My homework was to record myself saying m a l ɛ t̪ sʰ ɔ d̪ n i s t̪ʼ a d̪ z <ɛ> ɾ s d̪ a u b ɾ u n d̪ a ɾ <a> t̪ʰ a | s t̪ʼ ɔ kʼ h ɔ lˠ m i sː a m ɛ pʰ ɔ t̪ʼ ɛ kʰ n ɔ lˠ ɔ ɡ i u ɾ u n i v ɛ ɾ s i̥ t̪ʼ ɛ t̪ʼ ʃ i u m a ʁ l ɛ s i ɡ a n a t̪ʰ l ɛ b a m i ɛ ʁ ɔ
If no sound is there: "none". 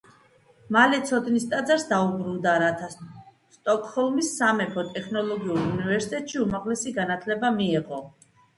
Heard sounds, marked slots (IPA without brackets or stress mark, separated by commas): a, a